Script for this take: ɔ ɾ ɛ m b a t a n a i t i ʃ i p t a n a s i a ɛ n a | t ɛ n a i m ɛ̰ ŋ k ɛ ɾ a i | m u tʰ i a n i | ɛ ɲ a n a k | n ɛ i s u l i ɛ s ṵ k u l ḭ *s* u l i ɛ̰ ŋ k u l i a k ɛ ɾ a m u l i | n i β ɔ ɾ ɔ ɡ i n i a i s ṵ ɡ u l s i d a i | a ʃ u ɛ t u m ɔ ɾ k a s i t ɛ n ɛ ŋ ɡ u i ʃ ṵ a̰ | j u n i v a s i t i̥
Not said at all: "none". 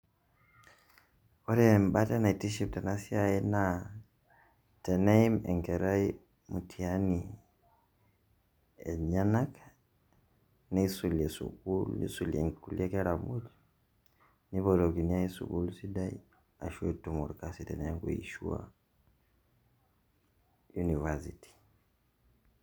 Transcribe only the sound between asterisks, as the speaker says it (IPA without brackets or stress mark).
s